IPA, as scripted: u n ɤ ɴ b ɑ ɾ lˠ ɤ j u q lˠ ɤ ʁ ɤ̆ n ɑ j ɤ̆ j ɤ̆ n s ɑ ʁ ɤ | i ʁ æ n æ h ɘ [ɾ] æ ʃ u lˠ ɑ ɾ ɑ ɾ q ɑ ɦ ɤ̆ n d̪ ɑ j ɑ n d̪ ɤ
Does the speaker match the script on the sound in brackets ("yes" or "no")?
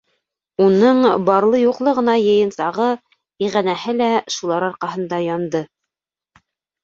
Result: no